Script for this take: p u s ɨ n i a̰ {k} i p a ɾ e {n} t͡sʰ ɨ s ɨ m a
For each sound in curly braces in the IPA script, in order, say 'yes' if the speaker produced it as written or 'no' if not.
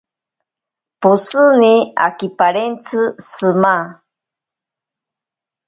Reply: yes, yes

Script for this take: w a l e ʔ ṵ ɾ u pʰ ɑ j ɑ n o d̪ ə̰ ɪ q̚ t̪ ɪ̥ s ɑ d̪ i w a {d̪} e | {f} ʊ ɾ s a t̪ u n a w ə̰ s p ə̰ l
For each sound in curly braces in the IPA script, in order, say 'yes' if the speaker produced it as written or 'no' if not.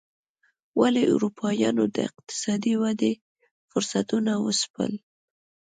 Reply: yes, yes

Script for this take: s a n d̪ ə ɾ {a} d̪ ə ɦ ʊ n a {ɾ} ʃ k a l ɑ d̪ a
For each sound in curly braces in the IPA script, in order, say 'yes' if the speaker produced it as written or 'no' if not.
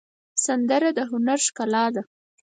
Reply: yes, yes

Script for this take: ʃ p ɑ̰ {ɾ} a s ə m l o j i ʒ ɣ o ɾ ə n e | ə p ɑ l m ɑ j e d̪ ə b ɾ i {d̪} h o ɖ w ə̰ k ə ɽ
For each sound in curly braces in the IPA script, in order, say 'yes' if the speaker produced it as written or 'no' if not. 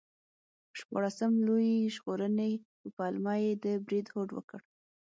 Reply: no, yes

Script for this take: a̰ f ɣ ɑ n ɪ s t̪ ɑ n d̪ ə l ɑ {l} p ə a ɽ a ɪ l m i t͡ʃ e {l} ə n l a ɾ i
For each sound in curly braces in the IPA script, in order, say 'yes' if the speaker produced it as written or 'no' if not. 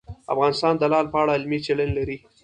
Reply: yes, yes

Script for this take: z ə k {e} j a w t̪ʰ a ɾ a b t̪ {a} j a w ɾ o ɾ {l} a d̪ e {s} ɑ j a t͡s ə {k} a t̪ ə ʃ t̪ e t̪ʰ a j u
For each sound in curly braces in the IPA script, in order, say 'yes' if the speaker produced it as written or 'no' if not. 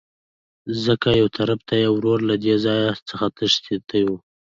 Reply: no, yes, yes, no, no

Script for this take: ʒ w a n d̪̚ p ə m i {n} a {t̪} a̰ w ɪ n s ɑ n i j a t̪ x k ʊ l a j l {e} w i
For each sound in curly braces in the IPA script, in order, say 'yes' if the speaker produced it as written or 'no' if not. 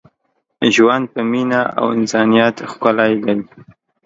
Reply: yes, no, no

